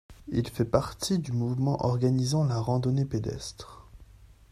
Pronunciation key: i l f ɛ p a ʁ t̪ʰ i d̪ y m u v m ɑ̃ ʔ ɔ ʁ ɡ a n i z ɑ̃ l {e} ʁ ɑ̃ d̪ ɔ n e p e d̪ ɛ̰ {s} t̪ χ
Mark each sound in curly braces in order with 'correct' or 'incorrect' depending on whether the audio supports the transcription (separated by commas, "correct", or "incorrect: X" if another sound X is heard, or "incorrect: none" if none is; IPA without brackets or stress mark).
incorrect: a, correct